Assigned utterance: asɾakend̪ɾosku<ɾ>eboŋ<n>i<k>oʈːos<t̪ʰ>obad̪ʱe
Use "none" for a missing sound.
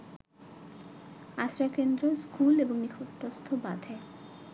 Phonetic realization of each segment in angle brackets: l, n, kʰ, t̪ʰ

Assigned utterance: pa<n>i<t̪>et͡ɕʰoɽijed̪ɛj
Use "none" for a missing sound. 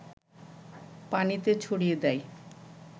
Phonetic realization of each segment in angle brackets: n, t̪

